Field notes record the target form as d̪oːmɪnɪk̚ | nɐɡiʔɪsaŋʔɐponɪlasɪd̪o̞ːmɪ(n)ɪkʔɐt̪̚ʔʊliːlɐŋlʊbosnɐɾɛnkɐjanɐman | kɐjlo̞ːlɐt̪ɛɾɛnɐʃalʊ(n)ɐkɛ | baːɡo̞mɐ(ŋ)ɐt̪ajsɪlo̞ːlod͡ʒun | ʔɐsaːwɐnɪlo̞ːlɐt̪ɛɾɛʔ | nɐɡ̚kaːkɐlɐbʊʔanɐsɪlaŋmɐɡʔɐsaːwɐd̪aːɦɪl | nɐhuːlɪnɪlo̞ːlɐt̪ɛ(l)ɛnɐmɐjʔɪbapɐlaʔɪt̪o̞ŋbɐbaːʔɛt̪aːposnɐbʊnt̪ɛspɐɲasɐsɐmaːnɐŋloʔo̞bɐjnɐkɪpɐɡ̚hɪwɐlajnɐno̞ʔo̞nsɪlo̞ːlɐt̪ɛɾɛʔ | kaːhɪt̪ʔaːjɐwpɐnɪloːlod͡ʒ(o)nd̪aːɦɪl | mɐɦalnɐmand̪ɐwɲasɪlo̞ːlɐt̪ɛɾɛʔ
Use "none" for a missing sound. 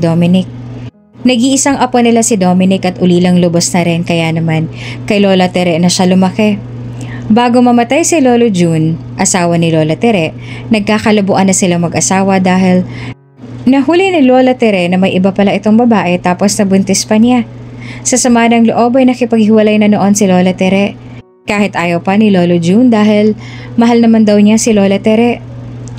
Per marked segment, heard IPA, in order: n, m, m, ɾ, u

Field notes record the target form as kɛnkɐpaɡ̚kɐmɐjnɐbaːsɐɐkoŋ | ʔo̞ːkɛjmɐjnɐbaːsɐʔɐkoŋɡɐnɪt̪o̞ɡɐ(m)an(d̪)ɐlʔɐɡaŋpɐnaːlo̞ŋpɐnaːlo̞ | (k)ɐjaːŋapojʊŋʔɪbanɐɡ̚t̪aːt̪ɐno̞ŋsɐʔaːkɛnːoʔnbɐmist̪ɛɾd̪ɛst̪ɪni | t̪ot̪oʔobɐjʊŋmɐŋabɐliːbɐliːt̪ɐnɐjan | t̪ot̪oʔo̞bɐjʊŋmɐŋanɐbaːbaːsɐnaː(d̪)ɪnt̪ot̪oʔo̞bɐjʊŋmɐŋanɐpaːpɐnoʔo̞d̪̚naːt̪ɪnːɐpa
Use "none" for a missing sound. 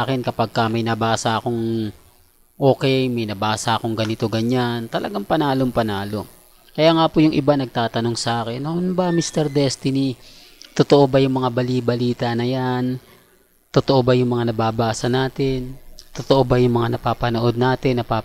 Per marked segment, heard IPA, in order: ɲ, t̪, k, t̪

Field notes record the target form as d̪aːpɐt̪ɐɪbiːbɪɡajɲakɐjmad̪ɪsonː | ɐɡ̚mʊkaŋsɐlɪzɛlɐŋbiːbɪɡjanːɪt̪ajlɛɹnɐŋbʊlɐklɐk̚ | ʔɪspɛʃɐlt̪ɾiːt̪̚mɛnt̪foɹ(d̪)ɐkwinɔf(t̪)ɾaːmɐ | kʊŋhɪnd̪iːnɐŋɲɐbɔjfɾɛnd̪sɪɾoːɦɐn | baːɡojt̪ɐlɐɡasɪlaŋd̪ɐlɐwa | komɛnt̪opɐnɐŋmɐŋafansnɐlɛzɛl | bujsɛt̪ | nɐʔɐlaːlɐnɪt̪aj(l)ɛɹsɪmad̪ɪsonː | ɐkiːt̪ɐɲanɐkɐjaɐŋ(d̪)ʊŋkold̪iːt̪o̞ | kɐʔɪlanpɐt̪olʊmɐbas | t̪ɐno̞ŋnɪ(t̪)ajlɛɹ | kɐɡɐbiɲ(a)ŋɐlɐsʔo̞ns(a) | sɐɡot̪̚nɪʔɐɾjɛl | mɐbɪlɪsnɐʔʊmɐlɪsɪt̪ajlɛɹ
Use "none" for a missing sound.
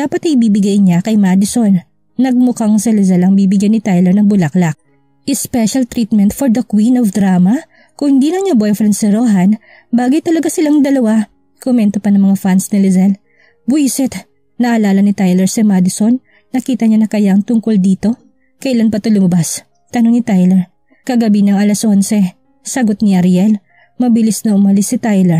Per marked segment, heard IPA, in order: d̪, d̪, l, t̪, t̪, ɐ, ɛ

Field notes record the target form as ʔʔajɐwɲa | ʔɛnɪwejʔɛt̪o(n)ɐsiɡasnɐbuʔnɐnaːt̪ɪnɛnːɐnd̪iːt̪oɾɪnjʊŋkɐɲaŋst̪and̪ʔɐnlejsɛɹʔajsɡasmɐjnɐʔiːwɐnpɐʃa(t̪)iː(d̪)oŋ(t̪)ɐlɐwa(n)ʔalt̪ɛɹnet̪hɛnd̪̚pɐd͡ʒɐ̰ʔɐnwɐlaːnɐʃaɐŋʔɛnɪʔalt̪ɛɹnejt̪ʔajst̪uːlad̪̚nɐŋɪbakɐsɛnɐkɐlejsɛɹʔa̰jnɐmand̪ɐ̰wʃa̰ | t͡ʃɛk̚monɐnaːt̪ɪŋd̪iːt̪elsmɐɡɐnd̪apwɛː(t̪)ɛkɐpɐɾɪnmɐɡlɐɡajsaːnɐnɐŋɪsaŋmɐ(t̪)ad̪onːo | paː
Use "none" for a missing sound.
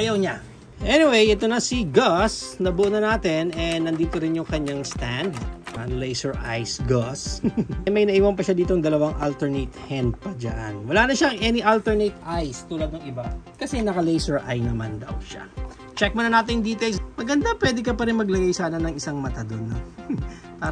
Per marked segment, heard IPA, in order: n, d̪, t̪, d̪, ŋ, d̪, t̪

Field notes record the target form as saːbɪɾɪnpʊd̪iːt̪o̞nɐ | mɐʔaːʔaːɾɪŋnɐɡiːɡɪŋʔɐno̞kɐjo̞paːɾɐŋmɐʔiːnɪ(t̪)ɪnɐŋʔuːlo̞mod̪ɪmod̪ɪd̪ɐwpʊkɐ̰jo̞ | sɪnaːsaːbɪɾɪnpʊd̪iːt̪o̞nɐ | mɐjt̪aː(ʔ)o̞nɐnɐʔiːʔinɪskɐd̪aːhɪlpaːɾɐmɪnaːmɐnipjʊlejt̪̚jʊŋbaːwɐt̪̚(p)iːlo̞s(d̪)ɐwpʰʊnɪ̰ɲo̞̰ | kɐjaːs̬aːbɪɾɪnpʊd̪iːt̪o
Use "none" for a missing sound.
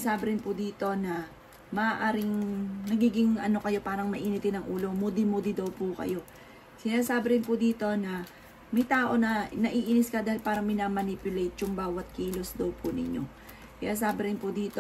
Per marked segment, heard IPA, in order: t̪, ʔ, k, d̪

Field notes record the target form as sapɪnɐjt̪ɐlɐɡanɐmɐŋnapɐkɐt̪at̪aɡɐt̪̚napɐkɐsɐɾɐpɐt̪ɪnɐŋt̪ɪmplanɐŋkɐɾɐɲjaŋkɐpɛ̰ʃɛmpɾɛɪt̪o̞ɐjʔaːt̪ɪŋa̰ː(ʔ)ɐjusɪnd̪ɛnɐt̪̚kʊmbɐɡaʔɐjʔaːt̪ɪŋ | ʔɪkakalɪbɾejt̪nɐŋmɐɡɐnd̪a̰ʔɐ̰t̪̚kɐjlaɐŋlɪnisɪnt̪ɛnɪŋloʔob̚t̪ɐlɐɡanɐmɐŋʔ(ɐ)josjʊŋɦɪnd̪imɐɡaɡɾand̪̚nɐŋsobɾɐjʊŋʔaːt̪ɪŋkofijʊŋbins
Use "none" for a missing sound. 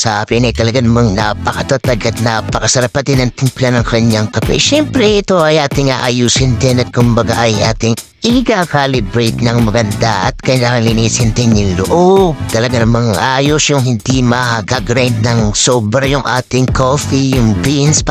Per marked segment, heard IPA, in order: ʔ, a

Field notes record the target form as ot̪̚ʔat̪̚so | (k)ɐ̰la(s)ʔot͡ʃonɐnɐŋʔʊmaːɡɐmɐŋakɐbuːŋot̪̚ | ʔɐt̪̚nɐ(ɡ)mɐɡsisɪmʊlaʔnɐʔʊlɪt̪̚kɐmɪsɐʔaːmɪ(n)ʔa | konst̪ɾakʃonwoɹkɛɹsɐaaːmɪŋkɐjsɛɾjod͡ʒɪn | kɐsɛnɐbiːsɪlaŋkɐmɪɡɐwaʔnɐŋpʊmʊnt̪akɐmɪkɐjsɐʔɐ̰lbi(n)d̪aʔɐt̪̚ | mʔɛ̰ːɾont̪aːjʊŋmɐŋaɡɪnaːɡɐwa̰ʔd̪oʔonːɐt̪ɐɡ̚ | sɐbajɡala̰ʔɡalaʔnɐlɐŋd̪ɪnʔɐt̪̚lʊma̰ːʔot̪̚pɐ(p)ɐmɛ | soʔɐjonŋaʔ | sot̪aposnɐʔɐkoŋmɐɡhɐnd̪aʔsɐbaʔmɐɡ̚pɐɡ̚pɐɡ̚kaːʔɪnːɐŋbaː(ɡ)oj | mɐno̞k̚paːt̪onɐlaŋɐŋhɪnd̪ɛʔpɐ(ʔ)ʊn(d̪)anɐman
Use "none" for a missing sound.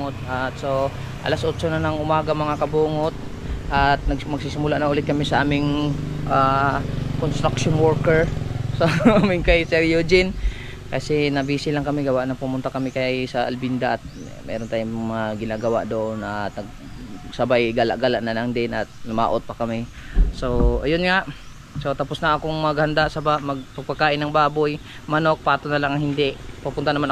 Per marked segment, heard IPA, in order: ʔ, s, ɡ, ŋ, n, k, b, p, t̪

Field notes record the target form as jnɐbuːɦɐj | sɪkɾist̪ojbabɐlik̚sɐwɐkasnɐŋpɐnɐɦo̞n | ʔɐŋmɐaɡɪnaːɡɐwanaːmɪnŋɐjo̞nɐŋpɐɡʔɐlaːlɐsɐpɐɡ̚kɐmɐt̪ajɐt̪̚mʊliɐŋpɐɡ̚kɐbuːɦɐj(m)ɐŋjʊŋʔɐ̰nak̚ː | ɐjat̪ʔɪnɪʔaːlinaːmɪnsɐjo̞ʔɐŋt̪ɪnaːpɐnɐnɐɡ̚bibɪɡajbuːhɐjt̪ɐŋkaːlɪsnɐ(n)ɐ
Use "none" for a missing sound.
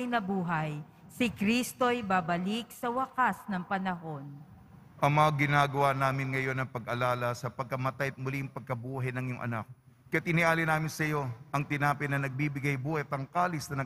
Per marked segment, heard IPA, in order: n, n

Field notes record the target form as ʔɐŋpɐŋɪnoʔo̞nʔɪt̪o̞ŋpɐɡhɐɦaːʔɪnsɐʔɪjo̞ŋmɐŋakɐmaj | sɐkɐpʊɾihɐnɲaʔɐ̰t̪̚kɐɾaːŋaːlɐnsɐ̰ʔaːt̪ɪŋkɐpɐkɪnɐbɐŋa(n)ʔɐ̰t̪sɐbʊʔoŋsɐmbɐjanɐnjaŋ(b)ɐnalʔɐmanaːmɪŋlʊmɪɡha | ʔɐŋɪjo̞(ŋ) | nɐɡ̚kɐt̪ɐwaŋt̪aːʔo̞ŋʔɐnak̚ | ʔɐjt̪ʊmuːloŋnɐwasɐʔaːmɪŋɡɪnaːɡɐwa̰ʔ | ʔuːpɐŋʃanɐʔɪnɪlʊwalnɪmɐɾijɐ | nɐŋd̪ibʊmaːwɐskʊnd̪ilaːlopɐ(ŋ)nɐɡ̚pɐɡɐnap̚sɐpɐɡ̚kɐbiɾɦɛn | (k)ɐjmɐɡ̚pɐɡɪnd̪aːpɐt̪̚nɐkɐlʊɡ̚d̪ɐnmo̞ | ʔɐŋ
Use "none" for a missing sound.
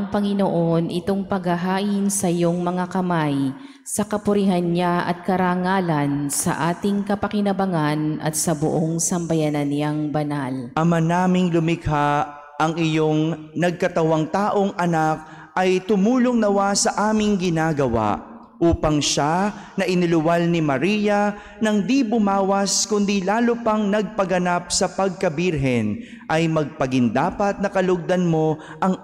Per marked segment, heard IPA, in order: n, b, ŋ, ŋ, ʔ

